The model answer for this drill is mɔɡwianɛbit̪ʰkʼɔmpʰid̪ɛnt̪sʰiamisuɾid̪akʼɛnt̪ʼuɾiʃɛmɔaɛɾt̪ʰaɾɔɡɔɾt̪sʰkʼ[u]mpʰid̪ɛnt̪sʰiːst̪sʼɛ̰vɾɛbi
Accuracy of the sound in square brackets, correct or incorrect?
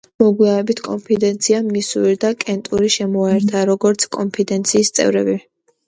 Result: incorrect